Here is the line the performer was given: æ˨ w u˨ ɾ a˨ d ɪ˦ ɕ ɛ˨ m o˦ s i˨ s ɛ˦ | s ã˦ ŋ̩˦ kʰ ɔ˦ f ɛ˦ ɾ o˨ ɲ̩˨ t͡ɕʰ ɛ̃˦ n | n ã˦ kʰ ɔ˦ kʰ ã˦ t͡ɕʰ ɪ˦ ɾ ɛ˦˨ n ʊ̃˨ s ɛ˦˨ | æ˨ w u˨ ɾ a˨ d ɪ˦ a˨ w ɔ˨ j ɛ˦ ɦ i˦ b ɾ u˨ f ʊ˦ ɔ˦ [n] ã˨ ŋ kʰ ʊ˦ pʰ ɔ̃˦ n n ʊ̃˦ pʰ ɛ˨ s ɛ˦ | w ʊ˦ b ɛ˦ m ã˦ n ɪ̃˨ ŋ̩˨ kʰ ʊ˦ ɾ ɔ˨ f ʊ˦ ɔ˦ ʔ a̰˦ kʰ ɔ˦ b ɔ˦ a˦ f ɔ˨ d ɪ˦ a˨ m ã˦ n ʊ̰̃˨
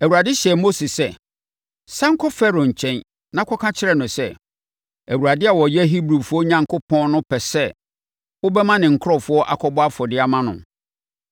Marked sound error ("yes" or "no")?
yes